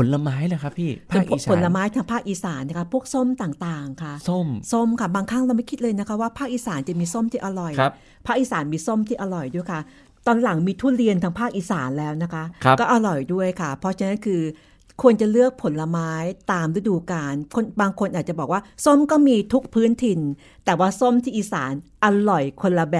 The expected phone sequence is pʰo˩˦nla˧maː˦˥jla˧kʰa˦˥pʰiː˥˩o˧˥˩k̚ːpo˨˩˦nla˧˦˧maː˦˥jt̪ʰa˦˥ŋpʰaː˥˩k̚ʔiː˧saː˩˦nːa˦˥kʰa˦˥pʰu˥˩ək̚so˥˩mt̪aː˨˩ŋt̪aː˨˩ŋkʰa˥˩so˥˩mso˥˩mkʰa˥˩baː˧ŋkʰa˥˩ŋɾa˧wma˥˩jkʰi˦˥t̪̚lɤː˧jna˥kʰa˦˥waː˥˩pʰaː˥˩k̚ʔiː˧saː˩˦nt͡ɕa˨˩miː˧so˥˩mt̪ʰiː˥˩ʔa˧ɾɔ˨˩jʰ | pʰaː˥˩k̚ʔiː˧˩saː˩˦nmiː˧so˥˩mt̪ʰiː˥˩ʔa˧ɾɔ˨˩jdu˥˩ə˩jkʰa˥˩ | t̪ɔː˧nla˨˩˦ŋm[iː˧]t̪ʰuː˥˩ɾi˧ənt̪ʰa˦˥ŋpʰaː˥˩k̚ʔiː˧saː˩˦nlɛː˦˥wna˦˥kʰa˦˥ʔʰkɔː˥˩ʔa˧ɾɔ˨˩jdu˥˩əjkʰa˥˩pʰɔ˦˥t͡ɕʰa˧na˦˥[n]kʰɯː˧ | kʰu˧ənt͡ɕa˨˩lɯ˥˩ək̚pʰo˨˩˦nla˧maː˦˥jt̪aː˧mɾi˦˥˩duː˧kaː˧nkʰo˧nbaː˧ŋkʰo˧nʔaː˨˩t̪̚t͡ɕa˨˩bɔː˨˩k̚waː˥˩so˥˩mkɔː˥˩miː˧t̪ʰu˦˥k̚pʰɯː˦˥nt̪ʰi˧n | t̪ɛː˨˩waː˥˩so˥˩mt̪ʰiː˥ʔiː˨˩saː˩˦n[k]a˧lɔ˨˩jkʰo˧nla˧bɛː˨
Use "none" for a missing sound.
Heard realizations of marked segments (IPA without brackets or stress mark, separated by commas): iː˧, n, ʔ